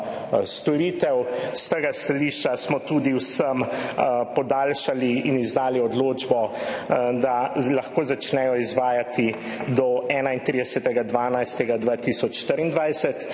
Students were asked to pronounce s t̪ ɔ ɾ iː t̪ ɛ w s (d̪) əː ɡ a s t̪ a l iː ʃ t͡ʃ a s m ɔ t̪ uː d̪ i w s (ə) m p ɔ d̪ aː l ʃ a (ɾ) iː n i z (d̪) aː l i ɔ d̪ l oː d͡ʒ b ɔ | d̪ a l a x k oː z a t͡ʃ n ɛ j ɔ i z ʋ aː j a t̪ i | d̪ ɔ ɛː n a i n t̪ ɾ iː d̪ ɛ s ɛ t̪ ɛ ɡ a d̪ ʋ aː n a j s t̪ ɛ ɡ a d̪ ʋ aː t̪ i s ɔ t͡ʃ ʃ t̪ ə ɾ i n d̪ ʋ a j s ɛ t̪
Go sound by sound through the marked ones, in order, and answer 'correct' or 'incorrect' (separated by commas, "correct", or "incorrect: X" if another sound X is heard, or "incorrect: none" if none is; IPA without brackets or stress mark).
incorrect: t̪, correct, incorrect: l, correct